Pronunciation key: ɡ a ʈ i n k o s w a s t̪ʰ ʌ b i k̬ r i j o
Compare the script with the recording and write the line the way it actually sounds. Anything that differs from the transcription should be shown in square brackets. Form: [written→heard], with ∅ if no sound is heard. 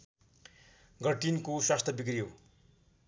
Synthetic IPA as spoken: ɡ [a→ʌ] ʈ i n k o s w a s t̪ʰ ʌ b i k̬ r i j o